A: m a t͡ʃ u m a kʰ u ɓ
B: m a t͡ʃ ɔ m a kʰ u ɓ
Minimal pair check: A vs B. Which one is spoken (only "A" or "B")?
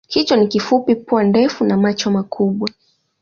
B